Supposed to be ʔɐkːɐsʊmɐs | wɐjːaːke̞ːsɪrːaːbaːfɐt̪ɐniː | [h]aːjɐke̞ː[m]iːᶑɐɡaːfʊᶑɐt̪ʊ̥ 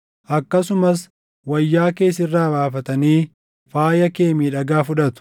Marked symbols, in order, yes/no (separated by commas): no, yes